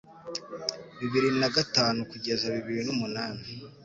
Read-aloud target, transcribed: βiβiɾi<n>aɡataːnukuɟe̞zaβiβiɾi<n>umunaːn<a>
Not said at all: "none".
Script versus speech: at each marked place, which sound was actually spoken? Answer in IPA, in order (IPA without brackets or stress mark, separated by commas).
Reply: n, n, i